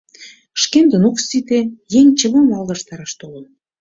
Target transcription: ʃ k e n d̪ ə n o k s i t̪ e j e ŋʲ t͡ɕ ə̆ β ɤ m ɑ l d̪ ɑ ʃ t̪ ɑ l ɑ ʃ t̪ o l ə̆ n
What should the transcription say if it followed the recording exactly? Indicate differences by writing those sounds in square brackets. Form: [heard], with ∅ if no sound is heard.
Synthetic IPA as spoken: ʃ k e n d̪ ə n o k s i t̪ e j e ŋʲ t͡ɕ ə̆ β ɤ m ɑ l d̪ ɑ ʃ t̪ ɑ [ɾ] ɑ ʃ t̪ o l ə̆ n